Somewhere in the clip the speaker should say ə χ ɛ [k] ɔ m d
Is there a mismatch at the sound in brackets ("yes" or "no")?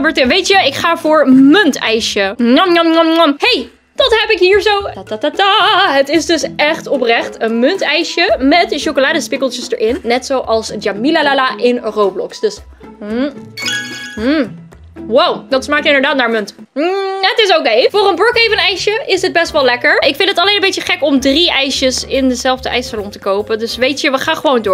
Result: no